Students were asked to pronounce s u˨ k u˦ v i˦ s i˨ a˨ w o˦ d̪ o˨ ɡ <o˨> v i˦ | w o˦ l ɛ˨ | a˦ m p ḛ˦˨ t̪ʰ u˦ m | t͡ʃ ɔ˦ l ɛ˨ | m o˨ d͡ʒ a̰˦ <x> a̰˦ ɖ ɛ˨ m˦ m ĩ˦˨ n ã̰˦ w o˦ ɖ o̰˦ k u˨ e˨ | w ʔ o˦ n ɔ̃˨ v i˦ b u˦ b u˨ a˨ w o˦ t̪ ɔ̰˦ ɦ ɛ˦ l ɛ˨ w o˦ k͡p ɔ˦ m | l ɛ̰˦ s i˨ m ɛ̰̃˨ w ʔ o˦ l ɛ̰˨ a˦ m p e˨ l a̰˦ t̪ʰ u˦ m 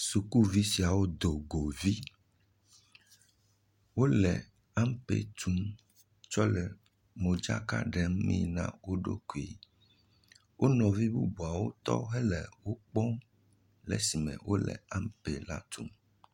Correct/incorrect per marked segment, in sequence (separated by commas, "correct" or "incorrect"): correct, incorrect